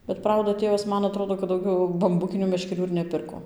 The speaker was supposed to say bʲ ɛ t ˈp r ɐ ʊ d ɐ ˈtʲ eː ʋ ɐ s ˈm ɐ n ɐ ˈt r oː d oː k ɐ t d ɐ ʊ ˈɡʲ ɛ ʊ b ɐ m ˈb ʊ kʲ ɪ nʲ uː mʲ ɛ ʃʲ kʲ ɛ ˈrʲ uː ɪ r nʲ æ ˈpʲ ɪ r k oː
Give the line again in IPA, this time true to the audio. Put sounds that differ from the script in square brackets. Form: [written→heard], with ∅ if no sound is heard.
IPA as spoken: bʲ ɛ t ˈp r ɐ ʊ d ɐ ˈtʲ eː ʋ ɐ s ˈm ɐ n ɐ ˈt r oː d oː k ɐ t d ɐ ʊ ˈɡʲ ɛ ʊ b ɐ m ˈb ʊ kʲ ɪ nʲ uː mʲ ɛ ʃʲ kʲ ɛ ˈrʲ uː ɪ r nʲ [æ→ɛ] ˈpʲ ɪ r k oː

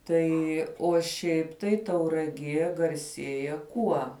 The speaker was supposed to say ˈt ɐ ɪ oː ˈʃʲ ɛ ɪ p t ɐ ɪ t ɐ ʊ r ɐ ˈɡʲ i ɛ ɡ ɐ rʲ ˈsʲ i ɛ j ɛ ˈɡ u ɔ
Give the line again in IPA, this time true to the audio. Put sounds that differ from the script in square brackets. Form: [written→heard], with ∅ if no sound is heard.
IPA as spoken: ˈt ɐ ɪ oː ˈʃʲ ɛ ɪ p t ɐ ɪ t ɐ ʊ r ɐ ˈɡʲ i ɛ ɡ ɐ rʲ ˈsʲ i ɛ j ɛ [ˈɡ→ˈk] u ɔ

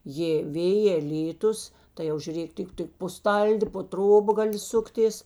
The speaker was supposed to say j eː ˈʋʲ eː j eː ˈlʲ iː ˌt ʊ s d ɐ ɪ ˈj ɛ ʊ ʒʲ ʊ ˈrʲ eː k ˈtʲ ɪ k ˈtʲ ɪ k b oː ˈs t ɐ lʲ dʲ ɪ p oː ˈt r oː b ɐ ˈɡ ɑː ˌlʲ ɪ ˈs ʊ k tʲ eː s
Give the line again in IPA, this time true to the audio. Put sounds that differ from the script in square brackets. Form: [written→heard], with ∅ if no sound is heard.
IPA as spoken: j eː ˈʋʲ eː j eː ˈlʲ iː ˌt ʊ s [d→t] ɐ ɪ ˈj ɛ ʊ ʒʲ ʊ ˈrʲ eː k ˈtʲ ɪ k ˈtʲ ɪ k [b→p] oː ˈs t ɐ lʲ dʲ ɪ p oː ˈt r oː b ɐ ˈɡ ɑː ˌlʲ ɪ ˈs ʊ k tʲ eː s

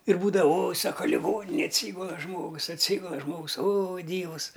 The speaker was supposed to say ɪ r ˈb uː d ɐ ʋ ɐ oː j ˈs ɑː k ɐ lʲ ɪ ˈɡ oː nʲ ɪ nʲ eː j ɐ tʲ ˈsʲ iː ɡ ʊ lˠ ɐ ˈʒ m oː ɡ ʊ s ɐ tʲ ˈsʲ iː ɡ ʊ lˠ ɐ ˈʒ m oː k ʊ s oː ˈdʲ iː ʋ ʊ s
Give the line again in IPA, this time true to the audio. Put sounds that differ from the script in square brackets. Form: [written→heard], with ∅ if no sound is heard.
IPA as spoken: ɪ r ˈb uː d ɐ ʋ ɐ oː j ˈs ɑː k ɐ lʲ ɪ ˈɡ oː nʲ ɪ nʲ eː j ɐ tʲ ˈsʲ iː ɡ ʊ lˠ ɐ ˈʒ m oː ɡ ʊ s ɐ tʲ ˈsʲ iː ɡ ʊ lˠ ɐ ˈʒ m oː [k→ɡ] ʊ s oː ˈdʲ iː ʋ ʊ s

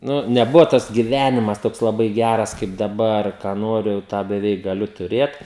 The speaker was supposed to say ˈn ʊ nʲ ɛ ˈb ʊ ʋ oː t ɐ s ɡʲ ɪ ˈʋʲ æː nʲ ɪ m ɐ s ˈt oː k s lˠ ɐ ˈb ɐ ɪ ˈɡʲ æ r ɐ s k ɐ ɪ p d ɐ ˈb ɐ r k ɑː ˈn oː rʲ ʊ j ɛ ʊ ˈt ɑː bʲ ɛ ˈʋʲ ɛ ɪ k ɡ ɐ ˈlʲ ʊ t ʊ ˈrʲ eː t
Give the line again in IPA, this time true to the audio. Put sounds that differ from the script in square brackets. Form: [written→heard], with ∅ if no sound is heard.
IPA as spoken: ˈn ʊ nʲ ɛ ˈb ʊ ʋ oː t ɐ s ɡʲ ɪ ˈʋʲ æː nʲ ɪ m ɐ s ˈt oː k s lˠ ɐ ˈb ɐ ɪ ˈɡʲ æ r ɐ s k ɐ ɪ p d ɐ ˈb ɐ r k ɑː ˈn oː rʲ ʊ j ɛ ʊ ˈt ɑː bʲ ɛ ˈʋʲ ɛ ɪ k ɡ ɐ ˈlʲ ʊ t ʊ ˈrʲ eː t

